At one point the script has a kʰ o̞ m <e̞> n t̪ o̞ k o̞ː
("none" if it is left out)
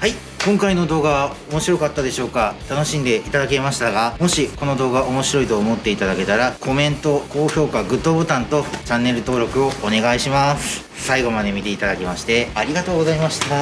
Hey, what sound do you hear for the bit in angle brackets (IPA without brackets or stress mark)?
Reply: ẽ̞